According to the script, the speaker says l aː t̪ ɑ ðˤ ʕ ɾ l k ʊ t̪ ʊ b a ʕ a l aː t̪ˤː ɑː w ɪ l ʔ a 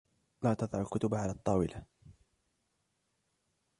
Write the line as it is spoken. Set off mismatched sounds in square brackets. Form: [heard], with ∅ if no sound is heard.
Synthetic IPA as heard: l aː t̪ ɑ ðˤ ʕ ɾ l k ʊ t̪ ʊ b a ʕ a l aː t̪ˤː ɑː w ɪ l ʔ a